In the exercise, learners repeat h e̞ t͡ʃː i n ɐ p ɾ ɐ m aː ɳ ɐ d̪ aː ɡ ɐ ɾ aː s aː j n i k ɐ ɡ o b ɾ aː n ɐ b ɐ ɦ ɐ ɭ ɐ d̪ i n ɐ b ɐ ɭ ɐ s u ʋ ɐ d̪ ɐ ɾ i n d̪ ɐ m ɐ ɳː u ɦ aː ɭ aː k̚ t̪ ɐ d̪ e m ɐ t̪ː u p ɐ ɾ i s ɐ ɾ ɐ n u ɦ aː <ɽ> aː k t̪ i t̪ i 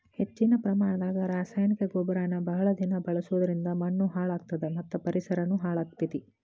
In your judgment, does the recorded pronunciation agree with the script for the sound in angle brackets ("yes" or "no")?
no